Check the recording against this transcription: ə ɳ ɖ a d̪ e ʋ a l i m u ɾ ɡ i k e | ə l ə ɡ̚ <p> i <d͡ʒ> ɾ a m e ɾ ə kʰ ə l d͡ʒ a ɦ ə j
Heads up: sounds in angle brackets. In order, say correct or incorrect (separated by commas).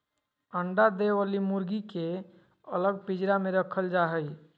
correct, correct